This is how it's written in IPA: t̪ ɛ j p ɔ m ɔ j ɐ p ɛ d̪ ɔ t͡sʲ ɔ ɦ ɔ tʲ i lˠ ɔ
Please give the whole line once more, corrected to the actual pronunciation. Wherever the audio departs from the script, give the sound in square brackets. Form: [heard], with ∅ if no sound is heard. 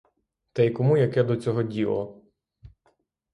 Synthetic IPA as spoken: t̪ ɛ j [k] ɔ m [u] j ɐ [k] ɛ d̪ ɔ t͡sʲ ɔ ɦ ɔ [dʲ] i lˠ ɔ